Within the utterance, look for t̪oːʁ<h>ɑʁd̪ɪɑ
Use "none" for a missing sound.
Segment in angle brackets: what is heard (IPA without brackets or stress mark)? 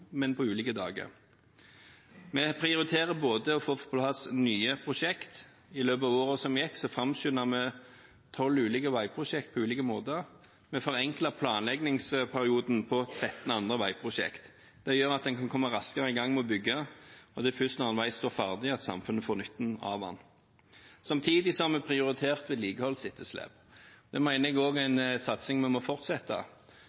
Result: f